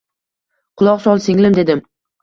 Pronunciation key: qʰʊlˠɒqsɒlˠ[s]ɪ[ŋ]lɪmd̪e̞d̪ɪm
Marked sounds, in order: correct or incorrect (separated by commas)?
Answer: correct, correct